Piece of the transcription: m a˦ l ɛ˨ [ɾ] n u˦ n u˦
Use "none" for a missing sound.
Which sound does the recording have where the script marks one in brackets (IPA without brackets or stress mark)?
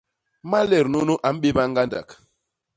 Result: ɾ